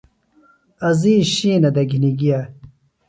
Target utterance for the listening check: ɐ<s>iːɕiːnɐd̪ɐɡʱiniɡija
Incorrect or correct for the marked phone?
incorrect: z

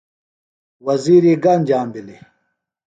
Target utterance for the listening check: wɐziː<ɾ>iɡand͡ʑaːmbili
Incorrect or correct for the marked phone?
correct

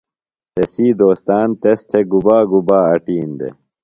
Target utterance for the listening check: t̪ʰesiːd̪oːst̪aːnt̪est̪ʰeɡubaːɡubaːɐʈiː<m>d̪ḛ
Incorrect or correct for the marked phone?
incorrect: n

